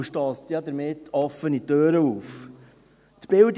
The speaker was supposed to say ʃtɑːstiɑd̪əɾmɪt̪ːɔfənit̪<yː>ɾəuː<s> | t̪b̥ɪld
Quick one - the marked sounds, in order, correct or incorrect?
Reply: incorrect, incorrect

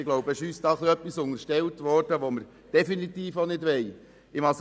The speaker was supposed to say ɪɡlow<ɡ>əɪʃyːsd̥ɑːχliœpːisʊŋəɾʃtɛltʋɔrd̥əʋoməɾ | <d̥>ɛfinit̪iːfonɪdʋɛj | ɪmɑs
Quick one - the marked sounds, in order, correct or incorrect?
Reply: incorrect, correct

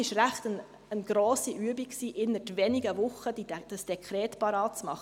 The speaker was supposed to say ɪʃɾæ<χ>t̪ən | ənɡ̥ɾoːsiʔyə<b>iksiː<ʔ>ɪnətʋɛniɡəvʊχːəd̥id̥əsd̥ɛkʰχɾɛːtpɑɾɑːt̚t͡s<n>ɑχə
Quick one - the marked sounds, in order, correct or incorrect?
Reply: correct, correct, correct, incorrect

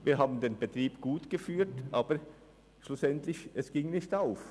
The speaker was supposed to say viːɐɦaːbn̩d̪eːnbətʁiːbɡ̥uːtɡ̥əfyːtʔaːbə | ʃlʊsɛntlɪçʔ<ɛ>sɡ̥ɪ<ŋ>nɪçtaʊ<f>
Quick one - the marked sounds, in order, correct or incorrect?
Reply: correct, correct, correct

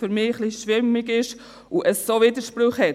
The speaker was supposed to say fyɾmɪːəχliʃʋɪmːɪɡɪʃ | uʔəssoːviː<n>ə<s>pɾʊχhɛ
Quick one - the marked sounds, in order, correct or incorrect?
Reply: incorrect, incorrect

